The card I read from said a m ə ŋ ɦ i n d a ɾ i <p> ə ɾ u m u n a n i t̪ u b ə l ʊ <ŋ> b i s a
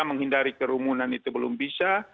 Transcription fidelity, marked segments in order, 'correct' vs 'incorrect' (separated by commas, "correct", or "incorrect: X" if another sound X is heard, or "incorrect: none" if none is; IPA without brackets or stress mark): incorrect: k, incorrect: m